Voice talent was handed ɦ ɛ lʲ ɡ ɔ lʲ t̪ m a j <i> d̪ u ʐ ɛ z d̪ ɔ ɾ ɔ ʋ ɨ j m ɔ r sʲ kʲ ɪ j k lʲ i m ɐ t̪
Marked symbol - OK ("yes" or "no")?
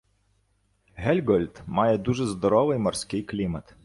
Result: no